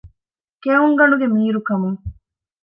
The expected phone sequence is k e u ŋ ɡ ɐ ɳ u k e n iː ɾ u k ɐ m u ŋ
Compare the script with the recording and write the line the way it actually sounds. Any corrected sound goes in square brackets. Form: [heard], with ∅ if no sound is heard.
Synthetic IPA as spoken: k e u ŋ ɡ ɐ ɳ u [ɡ] e [m] iː ɾ u k ɐ m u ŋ